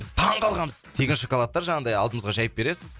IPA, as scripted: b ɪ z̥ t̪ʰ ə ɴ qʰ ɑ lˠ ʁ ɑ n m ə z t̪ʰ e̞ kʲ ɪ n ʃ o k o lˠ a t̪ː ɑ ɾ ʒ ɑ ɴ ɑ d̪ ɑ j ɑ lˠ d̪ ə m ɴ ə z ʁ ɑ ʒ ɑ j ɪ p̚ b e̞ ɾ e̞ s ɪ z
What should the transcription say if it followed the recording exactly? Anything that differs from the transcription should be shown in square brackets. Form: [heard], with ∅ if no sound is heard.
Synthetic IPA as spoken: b ɪ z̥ t̪ʰ [ɑ] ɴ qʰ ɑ lˠ ʁ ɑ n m ə z t̪ʰ e̞ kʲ ɪ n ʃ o k o lˠ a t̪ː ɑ ɾ ʒ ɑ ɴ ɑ d̪ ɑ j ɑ lˠ d̪ ə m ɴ ə z ʁ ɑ ʒ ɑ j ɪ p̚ b e̞ ɾ e̞ s ɪ z

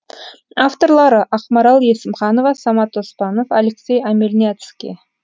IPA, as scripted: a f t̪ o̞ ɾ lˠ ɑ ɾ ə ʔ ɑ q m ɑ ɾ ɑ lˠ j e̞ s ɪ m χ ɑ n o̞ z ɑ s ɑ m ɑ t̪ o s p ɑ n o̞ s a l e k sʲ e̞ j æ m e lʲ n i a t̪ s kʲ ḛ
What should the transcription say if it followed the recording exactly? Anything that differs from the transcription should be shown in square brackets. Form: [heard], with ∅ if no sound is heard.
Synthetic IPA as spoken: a f t̪ o̞ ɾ lˠ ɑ ɾ ə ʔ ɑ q m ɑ ɾ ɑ lˠ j e̞ s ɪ m χ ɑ n o̞ [v] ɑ s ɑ m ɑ t̪ o s p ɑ n o̞ [f] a l e k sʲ e̞ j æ m e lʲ n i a t̪ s kʲ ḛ

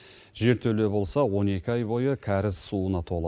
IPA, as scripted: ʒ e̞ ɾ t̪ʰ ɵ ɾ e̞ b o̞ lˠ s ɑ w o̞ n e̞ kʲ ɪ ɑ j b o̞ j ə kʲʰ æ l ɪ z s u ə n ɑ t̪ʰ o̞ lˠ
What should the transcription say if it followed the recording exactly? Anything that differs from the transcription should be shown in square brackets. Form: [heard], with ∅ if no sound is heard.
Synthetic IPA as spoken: ʒ e̞ ɾ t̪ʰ ɵ [l] e̞ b o̞ lˠ s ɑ w o̞ n e̞ kʲ ɪ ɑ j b o̞ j ə kʲʰ æ [ɾ] ɪ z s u ə n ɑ t̪ʰ o̞ lˠ

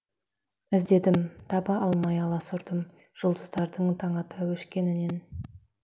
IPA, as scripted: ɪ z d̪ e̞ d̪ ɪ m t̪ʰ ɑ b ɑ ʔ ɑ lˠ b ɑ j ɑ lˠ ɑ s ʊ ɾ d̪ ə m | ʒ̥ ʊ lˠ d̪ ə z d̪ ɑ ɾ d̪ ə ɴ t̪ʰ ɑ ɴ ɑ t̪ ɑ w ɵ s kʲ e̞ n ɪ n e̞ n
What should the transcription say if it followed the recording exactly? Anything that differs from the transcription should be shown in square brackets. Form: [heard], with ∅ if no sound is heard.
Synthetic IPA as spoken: ɪ z d̪ e̞ d̪ ɪ m t̪ʰ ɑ b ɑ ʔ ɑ lˠ [m] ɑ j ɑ lˠ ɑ s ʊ ɾ d̪ ə m | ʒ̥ ʊ lˠ d̪ ə z d̪ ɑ ɾ d̪ ə ɴ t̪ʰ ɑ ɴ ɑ t̪ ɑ w ɵ [ʃ] kʲ e̞ n ɪ n e̞ n

